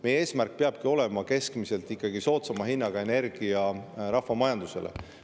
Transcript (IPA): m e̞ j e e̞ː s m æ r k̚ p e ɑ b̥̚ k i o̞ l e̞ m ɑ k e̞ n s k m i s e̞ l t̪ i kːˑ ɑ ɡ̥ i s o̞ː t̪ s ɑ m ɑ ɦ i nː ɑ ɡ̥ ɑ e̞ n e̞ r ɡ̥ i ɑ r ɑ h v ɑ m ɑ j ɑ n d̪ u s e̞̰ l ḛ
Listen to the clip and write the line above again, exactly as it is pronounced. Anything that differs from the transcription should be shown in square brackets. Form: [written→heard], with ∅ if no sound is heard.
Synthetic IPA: m e̞ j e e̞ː s m æ r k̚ p e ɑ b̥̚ k i o̞ l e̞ m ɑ k e̞ [n→∅] s k m i s e̞ l t̪ i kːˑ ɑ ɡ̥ i s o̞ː t̪ s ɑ m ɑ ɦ i nː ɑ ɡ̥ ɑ e̞ n e̞ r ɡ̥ i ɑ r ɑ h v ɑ m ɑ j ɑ n d̪ u s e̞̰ l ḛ